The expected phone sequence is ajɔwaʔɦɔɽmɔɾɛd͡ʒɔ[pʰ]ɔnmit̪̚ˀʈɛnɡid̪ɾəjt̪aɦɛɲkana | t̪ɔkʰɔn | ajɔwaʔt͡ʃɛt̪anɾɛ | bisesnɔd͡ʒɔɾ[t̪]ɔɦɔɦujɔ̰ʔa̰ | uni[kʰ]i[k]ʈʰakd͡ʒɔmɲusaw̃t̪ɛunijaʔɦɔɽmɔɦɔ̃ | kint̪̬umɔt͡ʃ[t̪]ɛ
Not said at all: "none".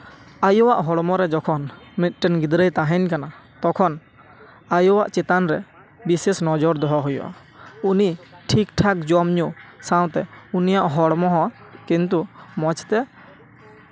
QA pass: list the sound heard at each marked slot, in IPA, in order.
kʰ, d̪, ʈʰ, k, t̪

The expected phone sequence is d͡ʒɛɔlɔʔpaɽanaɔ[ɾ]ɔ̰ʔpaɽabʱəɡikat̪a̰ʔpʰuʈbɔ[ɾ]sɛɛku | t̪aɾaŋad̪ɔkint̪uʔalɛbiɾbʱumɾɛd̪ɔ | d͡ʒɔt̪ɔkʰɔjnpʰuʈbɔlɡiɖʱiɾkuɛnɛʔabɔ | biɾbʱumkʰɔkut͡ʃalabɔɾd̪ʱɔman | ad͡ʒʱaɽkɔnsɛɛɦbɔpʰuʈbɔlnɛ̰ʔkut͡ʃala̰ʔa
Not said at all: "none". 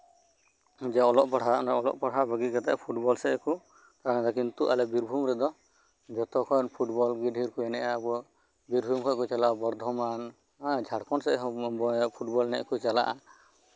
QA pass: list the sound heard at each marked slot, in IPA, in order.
l, l

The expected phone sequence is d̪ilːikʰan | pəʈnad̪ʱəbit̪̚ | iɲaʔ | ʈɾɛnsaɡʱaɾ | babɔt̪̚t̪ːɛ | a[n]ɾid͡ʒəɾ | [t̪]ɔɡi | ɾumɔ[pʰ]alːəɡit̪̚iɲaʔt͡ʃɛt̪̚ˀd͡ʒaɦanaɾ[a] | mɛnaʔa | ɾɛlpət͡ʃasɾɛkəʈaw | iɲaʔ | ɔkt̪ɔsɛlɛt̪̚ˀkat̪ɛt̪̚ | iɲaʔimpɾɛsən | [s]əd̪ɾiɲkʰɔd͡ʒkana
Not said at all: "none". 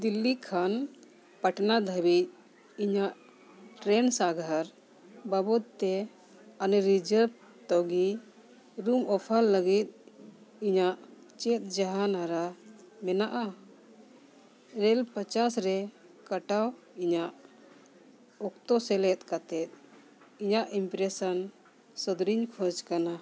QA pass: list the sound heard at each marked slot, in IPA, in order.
n, t̪, pʰ, a, s

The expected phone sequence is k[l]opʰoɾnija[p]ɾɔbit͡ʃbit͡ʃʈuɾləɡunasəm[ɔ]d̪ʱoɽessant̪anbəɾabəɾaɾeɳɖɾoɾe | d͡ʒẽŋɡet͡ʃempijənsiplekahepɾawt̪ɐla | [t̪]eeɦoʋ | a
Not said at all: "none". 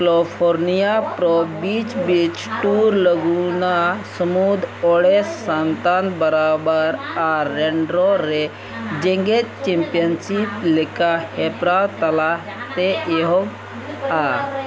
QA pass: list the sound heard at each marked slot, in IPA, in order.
l, p, u, t̪

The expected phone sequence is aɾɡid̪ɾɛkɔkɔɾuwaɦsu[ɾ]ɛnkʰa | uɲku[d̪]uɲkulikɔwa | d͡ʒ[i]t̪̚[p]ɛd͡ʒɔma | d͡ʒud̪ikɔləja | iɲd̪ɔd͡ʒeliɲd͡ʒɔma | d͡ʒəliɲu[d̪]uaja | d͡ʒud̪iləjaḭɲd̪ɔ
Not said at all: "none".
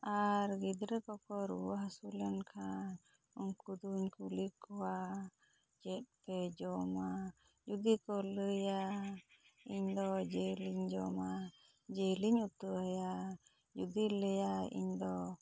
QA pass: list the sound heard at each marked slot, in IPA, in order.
l, d̪, ɛ, p, t̪

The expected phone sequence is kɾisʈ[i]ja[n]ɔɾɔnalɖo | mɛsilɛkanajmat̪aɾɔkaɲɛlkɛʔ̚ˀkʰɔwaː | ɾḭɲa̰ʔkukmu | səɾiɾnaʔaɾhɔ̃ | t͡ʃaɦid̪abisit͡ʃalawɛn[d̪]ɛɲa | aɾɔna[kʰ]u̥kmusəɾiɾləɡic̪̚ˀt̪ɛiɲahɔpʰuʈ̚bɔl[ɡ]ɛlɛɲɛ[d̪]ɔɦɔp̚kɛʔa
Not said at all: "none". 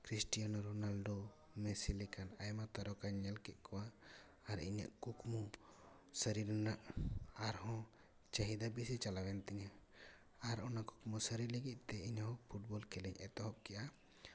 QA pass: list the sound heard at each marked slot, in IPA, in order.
i, n, t̪, k, k, t̪

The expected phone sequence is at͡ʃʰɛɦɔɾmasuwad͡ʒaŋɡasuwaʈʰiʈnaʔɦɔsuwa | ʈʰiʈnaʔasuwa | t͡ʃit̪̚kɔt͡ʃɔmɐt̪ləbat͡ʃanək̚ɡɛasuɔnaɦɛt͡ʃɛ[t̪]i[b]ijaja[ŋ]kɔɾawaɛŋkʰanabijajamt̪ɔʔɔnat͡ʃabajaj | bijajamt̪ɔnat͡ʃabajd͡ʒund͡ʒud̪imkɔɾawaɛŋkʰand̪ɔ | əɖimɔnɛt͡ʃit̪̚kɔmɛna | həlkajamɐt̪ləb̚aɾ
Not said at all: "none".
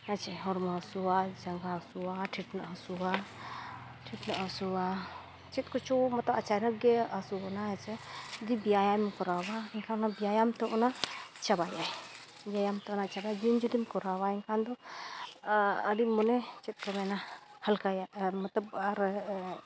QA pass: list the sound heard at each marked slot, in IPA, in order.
d̪, b, m

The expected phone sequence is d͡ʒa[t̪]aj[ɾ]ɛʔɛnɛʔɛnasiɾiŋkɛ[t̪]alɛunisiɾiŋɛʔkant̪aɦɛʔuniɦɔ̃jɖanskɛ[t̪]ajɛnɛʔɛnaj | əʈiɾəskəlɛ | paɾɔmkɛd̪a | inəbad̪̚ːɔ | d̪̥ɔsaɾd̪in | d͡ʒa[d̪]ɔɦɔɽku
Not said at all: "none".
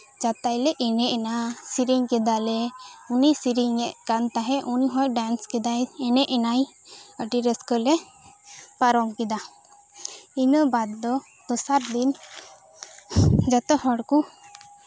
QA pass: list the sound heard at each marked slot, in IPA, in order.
t̪, l, d̪, d̪, t̪

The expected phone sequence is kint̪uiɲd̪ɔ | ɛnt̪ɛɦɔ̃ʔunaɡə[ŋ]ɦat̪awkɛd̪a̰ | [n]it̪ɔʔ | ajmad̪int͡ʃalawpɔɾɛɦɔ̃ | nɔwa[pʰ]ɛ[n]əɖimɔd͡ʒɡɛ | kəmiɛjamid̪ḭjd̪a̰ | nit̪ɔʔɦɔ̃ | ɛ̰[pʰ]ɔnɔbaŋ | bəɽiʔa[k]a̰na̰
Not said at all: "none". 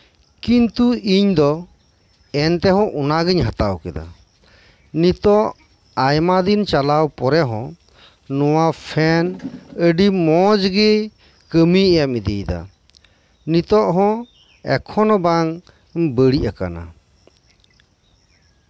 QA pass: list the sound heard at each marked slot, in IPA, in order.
ɲ, n, pʰ, n, kʰ, k

